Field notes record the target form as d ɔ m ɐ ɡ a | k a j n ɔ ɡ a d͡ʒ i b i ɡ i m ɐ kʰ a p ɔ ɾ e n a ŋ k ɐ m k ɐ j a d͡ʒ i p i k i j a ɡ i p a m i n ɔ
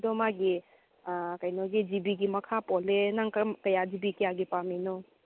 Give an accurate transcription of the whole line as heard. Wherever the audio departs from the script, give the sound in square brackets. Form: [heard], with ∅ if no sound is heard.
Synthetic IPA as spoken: d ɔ m [a] ɡ [i] | k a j n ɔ ɡ [i] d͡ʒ i b i ɡ i m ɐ kʰ a p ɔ [l] e n a ŋ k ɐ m k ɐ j a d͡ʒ i [b] i k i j a ɡ i p a m i n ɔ